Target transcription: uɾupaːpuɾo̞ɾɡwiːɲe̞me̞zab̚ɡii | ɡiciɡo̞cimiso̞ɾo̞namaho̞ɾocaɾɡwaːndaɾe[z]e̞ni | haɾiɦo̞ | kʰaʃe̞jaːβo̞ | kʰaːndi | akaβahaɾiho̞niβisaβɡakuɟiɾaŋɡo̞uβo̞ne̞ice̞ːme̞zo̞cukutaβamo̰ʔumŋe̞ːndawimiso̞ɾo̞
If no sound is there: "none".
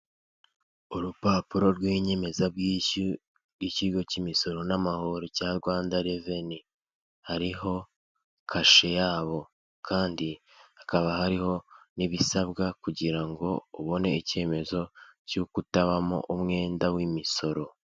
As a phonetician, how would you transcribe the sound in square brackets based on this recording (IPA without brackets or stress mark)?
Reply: v